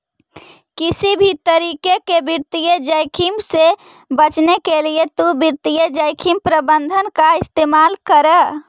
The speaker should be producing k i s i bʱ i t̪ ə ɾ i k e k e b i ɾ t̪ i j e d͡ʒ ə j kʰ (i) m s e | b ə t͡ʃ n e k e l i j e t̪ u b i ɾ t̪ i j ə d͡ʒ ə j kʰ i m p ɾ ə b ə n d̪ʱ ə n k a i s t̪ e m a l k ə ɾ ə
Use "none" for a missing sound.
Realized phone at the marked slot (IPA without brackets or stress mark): i